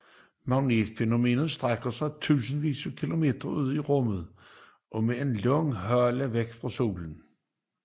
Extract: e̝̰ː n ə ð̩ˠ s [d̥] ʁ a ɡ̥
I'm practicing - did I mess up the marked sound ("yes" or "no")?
no